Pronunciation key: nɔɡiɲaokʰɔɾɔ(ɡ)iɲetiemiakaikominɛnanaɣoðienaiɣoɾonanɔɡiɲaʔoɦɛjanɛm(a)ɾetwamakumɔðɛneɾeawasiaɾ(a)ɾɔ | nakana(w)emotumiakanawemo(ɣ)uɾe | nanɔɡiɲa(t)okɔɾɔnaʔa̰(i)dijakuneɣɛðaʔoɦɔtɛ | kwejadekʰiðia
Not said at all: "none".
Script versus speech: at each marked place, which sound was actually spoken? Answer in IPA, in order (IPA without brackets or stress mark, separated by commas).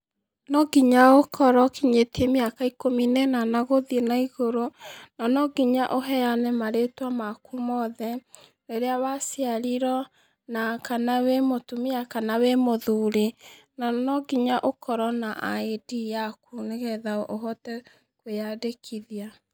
k, a, i, w, ð, ʔ, e